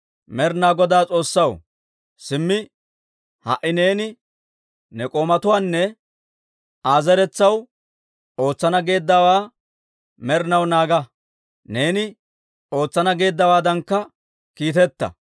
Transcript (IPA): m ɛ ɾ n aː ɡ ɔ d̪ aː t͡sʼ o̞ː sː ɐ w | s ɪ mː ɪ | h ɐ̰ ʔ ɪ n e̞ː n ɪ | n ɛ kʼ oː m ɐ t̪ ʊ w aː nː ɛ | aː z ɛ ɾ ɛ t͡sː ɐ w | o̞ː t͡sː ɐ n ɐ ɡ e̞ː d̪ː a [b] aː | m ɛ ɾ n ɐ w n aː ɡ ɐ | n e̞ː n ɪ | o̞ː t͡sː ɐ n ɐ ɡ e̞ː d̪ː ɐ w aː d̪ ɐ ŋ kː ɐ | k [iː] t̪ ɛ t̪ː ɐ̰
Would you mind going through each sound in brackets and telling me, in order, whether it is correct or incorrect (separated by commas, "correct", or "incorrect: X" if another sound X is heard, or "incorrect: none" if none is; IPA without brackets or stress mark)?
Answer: incorrect: w, correct